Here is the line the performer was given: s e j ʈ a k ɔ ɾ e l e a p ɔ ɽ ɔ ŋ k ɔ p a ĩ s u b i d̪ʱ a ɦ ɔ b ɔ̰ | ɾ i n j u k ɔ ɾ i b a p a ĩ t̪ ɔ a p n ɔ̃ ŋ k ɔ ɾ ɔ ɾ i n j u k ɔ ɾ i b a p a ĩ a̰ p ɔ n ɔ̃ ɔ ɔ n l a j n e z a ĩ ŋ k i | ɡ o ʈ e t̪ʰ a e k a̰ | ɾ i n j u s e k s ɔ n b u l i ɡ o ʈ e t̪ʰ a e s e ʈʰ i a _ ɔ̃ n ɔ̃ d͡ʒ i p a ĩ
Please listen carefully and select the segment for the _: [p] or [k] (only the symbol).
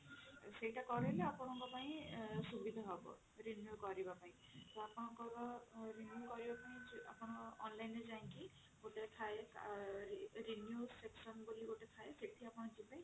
p